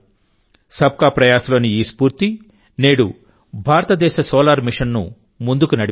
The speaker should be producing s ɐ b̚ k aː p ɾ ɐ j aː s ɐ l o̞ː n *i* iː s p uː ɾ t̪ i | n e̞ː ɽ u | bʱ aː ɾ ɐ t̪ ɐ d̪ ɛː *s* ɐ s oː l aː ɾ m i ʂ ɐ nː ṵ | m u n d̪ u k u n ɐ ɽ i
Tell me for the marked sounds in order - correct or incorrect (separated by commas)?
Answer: correct, incorrect